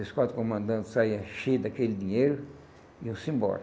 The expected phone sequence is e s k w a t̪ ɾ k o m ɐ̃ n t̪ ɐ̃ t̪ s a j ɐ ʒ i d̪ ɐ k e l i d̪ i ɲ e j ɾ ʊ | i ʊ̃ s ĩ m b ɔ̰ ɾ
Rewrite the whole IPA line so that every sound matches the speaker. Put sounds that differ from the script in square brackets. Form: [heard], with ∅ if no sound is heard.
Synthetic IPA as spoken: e s k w a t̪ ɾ k o m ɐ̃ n [d̪] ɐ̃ t̪ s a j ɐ [ʃ] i d̪ ɐ k e l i d̪ i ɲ e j ɾ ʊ | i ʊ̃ s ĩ m b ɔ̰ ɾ